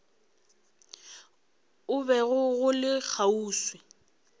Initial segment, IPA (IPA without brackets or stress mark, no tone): ʊ